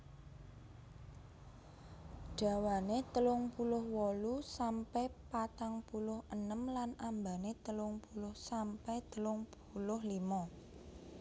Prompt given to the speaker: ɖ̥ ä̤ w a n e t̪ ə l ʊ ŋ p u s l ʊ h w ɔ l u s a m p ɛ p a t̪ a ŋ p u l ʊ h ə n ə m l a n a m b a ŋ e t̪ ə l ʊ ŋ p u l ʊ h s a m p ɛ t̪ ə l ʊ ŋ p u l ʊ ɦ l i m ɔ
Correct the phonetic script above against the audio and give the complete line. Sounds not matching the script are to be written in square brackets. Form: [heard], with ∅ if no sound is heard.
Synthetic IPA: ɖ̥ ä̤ w a n e t̪ ə l ʊ ŋ p u [∅] l ʊ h w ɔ l u s a m p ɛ p a t̪ a ŋ p u l ʊ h ə n ə m l a n a m b a [n] e t̪ ə l ʊ ŋ p u l ʊ h s a m p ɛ t̪ ə l ʊ ŋ p u l ʊ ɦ l i m ɔ